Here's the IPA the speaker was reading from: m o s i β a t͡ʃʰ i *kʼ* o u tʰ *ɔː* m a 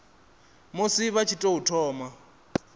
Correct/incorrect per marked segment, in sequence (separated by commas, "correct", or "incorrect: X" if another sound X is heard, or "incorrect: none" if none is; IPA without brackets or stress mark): incorrect: tʼ, correct